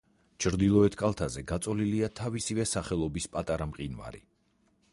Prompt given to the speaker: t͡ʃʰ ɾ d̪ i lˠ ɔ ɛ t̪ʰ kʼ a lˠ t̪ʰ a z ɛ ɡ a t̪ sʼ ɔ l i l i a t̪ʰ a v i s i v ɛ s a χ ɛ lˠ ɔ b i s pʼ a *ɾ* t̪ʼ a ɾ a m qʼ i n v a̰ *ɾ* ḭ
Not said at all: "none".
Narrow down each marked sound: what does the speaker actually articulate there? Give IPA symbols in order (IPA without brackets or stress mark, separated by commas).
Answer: none, ɾ